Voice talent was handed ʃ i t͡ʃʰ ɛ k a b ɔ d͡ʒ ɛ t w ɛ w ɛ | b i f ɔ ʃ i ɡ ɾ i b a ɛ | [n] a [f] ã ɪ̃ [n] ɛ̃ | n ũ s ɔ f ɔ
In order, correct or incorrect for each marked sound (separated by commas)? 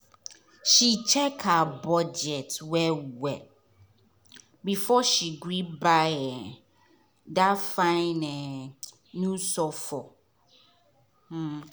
incorrect, correct, correct